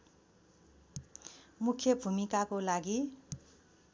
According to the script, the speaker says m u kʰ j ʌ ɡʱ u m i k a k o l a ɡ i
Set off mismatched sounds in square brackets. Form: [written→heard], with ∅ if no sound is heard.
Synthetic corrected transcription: m u kʰ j ʌ [ɡʱ→bʱ] u m i k a k o l a ɡ i